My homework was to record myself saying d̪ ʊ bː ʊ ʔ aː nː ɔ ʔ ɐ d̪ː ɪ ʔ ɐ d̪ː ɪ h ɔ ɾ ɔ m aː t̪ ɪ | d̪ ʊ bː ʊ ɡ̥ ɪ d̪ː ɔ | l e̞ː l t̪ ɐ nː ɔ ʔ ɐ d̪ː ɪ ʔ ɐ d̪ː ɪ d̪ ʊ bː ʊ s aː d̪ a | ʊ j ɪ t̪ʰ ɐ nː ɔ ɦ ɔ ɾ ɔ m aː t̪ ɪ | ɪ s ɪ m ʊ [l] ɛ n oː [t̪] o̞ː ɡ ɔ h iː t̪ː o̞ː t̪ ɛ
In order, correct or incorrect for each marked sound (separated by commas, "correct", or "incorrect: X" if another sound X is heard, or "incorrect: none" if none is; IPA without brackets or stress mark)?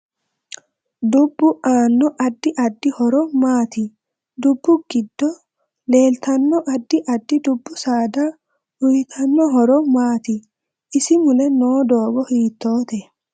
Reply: correct, incorrect: d̪